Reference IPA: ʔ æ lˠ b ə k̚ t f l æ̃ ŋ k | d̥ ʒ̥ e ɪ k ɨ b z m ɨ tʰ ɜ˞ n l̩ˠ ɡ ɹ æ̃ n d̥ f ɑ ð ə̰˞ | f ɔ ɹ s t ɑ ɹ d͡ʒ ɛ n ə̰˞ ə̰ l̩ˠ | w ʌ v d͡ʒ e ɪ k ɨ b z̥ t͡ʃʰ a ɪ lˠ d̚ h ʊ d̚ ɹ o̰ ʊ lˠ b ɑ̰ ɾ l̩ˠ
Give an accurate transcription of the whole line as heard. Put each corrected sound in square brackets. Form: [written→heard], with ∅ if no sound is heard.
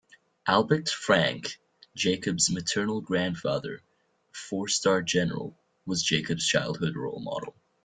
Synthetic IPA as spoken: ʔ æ lˠ b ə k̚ t f [l→ɹ] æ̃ ŋ k | d̥ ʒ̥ e ɪ k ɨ b z m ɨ tʰ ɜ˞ n l̩ˠ ɡ ɹ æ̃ n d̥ f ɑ ð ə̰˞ | f ɔ ɹ s t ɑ ɹ d͡ʒ ɛ n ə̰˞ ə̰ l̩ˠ | w ʌ [v→z] d͡ʒ e ɪ k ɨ b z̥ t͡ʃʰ a ɪ lˠ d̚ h ʊ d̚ ɹ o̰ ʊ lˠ [b→m] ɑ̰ ɾ l̩ˠ

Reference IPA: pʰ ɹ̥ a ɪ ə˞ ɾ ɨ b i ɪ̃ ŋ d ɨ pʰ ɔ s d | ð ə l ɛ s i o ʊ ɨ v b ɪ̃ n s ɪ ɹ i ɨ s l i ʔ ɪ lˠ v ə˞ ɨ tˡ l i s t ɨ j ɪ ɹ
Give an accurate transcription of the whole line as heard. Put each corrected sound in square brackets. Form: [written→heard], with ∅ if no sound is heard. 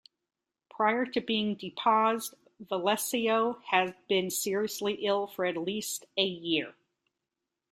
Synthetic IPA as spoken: pʰ ɹ̥ a ɪ ə˞ ɾ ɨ b i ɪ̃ ŋ d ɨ pʰ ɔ [s→z] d | [ð→v] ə l ɛ s i o ʊ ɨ [v→z] b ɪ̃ n s ɪ ɹ i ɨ s l i ʔ ɪ lˠ [v→f] ə˞ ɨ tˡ l i s t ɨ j ɪ ɹ

